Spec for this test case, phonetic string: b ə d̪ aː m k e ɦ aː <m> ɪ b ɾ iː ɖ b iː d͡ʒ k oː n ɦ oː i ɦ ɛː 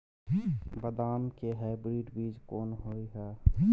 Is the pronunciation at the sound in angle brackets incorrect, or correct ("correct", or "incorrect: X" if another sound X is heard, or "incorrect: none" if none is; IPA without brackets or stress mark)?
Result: incorrect: none